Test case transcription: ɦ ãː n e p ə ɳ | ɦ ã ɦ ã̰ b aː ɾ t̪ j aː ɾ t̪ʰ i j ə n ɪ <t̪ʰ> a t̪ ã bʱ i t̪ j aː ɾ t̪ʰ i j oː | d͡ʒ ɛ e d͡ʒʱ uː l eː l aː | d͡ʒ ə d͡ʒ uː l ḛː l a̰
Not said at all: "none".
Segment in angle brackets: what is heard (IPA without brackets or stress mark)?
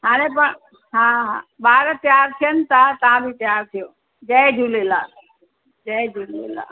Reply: t̪